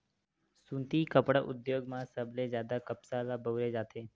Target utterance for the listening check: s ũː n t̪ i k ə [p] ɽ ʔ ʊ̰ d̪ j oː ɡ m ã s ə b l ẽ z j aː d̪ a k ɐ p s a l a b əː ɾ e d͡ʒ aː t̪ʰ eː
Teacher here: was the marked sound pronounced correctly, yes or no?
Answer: yes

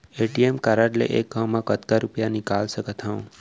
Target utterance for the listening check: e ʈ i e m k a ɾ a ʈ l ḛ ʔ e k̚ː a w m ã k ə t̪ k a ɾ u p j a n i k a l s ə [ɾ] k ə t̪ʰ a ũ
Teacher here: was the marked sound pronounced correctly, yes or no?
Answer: no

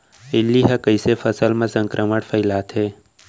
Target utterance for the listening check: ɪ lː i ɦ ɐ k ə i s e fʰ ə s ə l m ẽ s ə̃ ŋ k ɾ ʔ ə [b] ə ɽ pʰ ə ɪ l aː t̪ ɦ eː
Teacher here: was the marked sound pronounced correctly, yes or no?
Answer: no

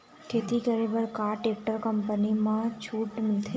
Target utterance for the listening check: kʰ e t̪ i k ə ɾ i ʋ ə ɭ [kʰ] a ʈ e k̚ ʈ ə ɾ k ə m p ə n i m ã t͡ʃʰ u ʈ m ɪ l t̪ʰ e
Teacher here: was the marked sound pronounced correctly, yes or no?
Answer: no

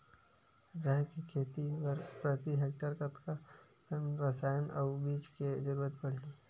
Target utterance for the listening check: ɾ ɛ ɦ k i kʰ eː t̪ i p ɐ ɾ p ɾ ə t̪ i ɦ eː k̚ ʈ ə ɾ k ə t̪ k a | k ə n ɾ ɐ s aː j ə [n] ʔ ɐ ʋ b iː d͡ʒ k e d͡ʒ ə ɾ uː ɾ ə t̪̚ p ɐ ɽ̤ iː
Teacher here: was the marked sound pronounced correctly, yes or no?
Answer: yes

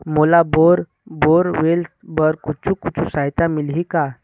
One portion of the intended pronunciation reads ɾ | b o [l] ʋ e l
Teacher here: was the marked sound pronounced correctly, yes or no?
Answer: no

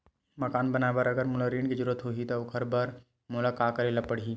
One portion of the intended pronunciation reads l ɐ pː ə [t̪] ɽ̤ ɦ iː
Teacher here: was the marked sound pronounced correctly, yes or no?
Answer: no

